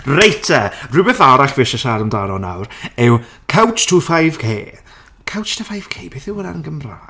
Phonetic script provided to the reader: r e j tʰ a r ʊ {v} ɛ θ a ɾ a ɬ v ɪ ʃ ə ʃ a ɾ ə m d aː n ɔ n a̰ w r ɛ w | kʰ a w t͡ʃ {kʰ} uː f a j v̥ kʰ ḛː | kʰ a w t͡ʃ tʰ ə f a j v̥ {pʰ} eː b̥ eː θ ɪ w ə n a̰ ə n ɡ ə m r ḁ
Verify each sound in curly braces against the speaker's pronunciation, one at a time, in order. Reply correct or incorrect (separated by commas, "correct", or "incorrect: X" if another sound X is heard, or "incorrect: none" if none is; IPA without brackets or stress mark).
incorrect: b, incorrect: tʰ, incorrect: kʰ